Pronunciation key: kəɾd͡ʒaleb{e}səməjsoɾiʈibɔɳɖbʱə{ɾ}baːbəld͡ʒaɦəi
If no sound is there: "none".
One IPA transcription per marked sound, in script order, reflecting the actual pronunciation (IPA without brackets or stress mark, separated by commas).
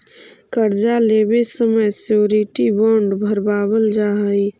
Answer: e, ɾ